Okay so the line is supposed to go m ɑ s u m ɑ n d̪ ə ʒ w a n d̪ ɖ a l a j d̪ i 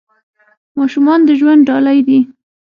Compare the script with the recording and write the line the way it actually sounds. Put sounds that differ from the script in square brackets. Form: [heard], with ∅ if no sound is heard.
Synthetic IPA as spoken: m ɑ [ʃ] u m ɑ n d̪ ə ʒ w a n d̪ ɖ [ɑ] l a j d̪ i

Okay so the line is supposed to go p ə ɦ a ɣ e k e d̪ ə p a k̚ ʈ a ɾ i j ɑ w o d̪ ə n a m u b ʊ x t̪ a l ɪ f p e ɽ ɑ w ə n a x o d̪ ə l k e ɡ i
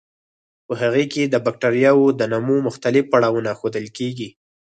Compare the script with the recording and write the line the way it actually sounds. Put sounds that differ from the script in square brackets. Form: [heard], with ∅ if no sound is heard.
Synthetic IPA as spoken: p ə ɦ a ɣ e k e d̪ ə [b] a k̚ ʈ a ɾ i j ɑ w o d̪ ə n a m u [m] ʊ x t̪ a l ɪ f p [a] ɽ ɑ w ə n a x o d̪ ə l k e ɡ i

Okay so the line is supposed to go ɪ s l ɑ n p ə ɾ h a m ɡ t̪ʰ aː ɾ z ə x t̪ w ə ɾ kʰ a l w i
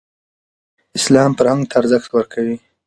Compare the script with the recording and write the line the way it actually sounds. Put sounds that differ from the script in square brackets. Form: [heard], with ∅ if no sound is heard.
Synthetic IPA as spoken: ɪ s l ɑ [m] p ə ɾ h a [ŋ] ɡ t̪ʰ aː ɾ z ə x t̪ w ə ɾ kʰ a [∅] w i

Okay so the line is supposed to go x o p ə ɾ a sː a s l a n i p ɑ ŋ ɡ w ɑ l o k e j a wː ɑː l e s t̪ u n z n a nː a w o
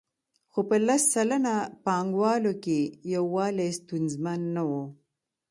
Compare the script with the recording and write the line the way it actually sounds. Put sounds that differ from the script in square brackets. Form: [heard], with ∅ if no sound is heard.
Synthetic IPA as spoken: x o p ə [l] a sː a [∅] l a n [a] p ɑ ŋ ɡ w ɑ l o k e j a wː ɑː l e s t̪ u n z [m] a nː a w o

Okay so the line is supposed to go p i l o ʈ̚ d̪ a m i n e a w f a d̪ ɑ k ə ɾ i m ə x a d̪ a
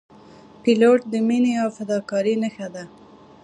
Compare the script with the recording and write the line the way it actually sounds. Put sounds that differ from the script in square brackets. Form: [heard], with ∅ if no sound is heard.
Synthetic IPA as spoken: p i l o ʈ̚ d̪ [ə] m i n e a w f a d̪ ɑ k [ɑ] ɾ i [n] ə x a d̪ a

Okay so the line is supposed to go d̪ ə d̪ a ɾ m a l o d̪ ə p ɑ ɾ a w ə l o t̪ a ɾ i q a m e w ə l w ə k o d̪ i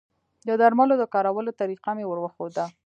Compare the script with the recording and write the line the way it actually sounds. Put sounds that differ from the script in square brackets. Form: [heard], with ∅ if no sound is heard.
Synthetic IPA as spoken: d̪ ə d̪ a ɾ m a l o d̪ ə [k] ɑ ɾ a w ə l o t̪ a ɾ i q a m e w ə [ɾ] w ə [x] o d̪ [a]

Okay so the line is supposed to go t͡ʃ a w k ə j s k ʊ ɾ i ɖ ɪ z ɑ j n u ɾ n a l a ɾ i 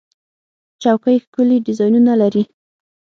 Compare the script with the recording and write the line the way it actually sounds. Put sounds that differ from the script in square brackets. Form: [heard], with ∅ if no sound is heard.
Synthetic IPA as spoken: t͡ʃ a w k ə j [x] k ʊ [l] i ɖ ɪ z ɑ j n u [∅] n a l a ɾ i

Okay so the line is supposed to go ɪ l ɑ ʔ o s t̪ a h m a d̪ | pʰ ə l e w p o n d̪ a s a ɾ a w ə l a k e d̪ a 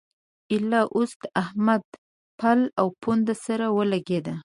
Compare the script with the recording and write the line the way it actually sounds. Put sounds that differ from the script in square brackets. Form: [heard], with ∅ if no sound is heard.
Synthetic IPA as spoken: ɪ l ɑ ʔ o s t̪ a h m a d̪ | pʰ [a] l [a] w p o n d̪ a s a ɾ a w ə l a [ɡ] e d̪ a

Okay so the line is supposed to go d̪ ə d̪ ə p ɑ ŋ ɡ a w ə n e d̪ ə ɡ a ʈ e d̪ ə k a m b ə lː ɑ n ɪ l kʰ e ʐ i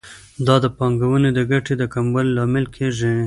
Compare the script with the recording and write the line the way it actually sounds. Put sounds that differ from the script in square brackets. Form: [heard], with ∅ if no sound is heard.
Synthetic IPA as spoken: d̪ [ɑ] d̪ ə p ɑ ŋ ɡ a w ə n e d̪ ə ɡ a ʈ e d̪ ə k a m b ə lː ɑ [m] ɪ l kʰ e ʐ i

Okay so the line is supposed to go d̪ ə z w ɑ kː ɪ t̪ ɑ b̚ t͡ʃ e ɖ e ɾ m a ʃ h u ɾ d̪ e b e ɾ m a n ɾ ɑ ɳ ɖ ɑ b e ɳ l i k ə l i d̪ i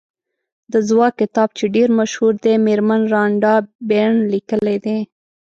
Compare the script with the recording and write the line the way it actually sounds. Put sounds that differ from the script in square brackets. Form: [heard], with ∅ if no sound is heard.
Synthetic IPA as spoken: d̪ ə z w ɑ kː ɪ t̪ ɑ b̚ t͡ʃ e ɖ e ɾ m a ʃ h u ɾ d̪ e [m] e ɾ m a n ɾ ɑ ɳ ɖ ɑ b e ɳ l i k ə l [e] d̪ [e]

